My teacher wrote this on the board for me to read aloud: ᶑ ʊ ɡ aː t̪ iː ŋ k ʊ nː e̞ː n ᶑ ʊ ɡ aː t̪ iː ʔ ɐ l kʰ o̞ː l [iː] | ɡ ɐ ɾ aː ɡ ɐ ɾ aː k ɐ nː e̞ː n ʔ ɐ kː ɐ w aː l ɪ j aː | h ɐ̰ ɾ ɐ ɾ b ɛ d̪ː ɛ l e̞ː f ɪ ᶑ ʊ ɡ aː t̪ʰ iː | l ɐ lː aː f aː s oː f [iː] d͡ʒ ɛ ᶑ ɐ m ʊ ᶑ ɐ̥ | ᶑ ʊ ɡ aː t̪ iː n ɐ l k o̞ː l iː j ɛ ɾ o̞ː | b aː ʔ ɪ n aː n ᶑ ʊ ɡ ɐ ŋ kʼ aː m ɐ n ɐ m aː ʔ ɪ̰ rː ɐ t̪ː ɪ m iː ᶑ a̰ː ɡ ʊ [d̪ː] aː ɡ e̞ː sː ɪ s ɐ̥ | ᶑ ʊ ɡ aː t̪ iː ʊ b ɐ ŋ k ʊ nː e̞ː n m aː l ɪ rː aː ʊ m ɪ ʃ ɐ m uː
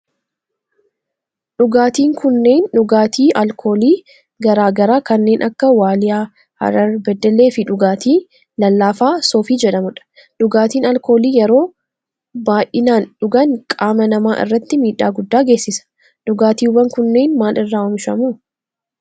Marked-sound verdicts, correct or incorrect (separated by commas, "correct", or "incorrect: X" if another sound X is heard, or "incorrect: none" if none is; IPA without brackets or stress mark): correct, correct, correct